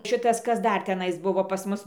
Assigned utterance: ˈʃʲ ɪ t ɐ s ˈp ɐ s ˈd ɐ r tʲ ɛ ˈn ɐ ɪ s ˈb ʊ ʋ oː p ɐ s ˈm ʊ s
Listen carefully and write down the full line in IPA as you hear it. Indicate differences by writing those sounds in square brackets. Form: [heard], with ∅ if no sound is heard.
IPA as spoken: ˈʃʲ ɪ t ɐ s [ˈk] ɐ s ˈd ɐ r tʲ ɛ ˈn ɐ ɪ s ˈb ʊ ʋ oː p ɐ s ˈm ʊ s